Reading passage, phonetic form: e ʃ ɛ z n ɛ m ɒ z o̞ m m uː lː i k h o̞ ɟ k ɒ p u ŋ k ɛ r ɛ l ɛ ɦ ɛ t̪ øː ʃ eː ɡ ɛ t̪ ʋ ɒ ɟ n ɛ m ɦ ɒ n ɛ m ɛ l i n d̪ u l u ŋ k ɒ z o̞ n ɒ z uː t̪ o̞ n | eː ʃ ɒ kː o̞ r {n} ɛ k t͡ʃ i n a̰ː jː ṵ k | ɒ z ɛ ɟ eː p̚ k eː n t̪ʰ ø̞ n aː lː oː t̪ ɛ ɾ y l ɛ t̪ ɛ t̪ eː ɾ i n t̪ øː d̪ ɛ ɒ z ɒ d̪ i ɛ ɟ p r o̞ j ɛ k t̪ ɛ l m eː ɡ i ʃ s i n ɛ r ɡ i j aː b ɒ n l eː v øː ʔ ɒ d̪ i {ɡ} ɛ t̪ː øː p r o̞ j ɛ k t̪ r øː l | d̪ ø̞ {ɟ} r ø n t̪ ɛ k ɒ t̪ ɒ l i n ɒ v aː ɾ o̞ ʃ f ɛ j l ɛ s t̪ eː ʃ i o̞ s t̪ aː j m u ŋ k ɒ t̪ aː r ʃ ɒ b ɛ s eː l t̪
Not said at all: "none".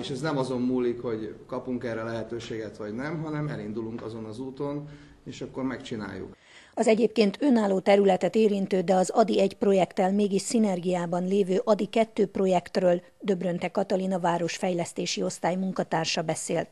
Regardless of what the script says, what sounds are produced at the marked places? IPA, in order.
m, k, b

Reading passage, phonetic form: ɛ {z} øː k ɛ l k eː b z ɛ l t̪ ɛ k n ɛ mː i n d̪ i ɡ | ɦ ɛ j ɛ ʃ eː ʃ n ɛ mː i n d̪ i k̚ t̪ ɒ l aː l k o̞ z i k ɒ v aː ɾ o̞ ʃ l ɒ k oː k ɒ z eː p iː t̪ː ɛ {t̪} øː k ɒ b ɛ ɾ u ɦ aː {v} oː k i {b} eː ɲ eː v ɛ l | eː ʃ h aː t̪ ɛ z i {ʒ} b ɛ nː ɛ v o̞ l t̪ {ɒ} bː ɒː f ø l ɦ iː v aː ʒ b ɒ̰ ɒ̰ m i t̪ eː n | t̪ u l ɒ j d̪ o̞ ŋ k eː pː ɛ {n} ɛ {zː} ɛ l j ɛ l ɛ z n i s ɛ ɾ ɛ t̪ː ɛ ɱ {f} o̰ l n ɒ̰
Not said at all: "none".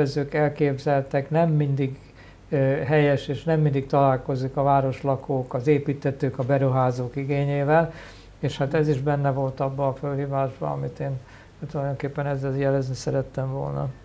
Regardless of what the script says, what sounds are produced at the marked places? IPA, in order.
z, t̪, z, ɡ, ʒ, ɒ, n, zː, v

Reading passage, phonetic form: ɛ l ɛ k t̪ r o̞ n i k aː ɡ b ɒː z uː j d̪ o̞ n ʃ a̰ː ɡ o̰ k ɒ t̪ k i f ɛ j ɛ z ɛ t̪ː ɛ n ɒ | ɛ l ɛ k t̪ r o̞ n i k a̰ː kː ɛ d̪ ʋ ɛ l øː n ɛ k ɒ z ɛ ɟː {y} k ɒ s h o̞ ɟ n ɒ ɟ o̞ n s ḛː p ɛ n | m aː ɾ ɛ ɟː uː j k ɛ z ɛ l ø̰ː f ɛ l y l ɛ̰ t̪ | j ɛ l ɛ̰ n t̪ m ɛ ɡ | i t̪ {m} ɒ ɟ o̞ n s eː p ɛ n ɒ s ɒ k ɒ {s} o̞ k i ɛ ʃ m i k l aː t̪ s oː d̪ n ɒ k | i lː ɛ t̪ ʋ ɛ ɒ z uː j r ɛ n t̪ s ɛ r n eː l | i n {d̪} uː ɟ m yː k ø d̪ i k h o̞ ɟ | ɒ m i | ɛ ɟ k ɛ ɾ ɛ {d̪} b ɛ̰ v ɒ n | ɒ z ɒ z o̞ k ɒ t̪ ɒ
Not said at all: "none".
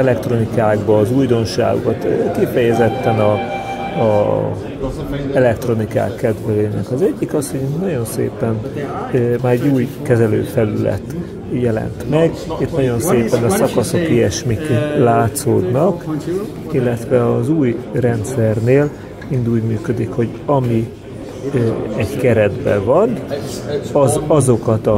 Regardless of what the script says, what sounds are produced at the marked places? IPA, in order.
i, n, s, d̪, d̪

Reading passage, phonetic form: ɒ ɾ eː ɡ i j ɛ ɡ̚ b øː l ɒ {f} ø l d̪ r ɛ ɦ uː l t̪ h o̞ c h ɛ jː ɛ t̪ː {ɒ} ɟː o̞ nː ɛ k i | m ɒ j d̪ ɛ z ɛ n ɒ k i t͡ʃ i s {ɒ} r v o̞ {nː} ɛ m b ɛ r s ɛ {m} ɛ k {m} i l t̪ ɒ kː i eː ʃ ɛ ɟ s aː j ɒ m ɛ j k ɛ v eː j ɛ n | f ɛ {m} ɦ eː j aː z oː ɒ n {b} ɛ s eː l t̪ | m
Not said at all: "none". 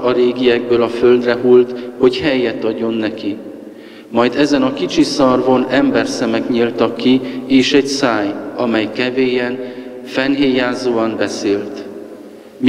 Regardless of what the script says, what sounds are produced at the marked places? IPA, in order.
f, ɒ, ɒ, n, m, ɲ, n, b

